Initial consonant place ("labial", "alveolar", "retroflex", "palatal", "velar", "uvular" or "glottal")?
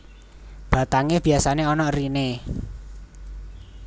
labial